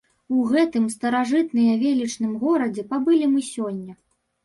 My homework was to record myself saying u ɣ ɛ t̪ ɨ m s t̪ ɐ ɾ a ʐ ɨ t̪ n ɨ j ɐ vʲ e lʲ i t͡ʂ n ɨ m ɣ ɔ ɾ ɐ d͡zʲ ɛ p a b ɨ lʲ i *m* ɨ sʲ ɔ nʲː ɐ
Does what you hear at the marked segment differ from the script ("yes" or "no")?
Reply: no